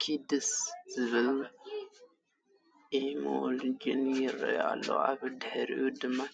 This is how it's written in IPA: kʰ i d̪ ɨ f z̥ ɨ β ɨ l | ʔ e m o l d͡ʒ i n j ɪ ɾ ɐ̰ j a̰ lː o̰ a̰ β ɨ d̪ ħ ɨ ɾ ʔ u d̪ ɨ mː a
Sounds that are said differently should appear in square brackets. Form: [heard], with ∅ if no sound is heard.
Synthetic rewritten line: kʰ i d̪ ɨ [s] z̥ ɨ β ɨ l | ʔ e m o l d͡ʒ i n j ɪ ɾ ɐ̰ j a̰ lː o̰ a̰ β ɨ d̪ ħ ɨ ɾ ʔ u d̪ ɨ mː a